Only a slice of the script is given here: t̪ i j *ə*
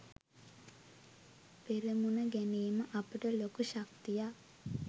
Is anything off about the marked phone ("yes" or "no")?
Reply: yes